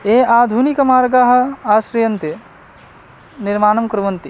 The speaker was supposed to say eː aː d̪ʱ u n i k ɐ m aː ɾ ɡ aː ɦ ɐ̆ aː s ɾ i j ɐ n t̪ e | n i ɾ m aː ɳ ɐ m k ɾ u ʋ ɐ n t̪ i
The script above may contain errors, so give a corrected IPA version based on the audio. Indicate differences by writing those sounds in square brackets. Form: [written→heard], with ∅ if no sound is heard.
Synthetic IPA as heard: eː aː d̪ʱ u n i k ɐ m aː ɾ ɡ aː ɦ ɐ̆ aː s ɾ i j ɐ n t̪ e | n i ɾ m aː [ɳ→n] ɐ m k ɾ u ʋ ɐ n t̪ i